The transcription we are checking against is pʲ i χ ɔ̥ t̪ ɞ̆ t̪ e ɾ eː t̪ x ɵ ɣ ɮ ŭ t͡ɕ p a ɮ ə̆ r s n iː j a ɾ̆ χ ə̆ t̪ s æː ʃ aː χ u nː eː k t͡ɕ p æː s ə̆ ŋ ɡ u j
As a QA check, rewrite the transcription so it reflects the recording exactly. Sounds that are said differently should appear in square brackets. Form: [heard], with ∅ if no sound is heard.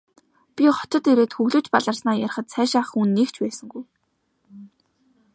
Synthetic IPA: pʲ i χ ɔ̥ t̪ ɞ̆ t̪ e ɾ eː t̪ x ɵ ɣ ɮ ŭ t͡ɕ p a ɮ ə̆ r s n [aː] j a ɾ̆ χ ə̆ t̪ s æː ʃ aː χ u nː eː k t͡ɕ p æː s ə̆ ŋ ɡ u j

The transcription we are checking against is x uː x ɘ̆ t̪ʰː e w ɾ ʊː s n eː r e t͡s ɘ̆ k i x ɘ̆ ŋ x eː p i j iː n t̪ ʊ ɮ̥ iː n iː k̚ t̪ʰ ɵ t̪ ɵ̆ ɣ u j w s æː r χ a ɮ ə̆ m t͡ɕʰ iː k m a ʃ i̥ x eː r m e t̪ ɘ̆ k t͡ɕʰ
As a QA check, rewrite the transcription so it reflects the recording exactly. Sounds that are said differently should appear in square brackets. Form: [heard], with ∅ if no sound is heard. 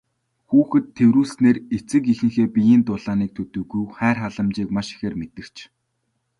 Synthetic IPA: x uː x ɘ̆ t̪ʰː e w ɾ [uː] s n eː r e t͡s ɘ̆ k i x ɘ̆ ŋ x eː p i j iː n t̪ ʊ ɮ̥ [aː] n iː k̚ t̪ʰ ɵ t̪ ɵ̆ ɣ u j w [χ] æː r χ a ɮ ə̆ m [t͡ɕ] iː k m a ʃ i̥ x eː r m e t̪ ɘ̆ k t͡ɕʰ

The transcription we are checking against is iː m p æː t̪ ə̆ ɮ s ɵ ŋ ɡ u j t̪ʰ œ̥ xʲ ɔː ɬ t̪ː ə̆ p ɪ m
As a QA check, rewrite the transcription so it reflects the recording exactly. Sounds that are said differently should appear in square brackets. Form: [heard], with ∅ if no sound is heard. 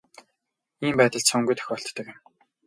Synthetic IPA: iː m p æː t̪ ə̆ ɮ s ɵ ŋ ɡ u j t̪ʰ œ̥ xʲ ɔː ɬ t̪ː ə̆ [k] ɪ m

